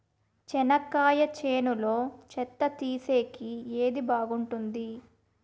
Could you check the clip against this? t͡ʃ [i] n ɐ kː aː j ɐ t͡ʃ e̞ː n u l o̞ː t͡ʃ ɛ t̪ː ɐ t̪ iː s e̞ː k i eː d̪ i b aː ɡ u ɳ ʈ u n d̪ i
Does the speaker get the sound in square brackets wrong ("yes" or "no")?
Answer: yes